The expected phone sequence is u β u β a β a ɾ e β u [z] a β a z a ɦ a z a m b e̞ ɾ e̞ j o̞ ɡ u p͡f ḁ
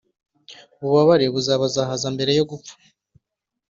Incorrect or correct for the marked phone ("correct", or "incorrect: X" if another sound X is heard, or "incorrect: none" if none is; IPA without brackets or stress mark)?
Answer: correct